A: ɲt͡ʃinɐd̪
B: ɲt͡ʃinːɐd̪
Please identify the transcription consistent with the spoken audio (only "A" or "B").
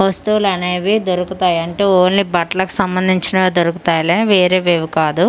A